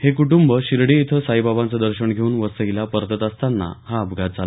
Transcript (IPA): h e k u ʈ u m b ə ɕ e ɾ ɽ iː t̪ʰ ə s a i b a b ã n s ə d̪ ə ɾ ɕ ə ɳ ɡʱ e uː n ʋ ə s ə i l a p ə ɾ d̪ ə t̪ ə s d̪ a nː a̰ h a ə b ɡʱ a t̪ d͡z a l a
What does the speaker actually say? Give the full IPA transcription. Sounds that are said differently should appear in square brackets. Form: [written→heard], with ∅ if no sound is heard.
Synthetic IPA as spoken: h e k u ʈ u m b ə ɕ [e→i] ɾ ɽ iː t̪ʰ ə s a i b a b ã n [s→t͡s] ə d̪ ə ɾ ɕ ə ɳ ɡʱ e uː n ʋ ə s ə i l a p ə ɾ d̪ ə t̪ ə s [d̪→t̪] a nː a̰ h a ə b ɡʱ a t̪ d͡z a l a